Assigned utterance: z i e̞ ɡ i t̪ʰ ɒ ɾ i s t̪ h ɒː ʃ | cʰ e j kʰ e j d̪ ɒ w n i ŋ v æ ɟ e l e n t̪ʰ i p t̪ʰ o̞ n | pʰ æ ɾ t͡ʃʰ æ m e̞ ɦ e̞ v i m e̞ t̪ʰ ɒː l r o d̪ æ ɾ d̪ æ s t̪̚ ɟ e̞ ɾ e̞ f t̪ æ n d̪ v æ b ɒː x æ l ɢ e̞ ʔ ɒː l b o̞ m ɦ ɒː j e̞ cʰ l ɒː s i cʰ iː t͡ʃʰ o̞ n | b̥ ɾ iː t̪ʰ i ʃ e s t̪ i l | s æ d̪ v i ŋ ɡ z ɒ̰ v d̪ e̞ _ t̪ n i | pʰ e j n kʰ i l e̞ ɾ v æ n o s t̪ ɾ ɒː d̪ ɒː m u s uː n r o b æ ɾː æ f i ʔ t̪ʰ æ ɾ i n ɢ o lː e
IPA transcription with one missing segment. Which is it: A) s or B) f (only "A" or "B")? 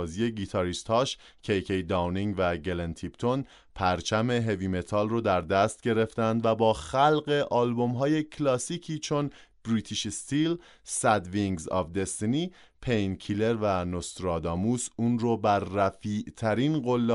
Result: A